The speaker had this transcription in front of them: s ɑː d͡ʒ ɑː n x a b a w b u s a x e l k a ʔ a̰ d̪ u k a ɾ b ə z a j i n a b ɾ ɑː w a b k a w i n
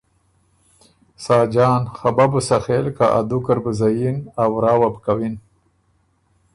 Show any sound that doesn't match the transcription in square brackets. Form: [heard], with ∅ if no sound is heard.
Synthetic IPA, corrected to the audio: s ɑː d͡ʒ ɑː n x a b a [∅] b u s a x e l k a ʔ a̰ d̪ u k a ɾ b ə z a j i n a [w] ɾ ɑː w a b k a w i n